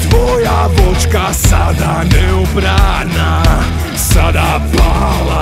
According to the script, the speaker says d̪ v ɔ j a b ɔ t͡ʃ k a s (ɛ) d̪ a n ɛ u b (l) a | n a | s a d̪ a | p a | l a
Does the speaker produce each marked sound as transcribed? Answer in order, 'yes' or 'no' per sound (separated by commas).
no, no